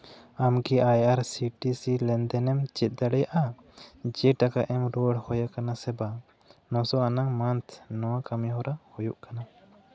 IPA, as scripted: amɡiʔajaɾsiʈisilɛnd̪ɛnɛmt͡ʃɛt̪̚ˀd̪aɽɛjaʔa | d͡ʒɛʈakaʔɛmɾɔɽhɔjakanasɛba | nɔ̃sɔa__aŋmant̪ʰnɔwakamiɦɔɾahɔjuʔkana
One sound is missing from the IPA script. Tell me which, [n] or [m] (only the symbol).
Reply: n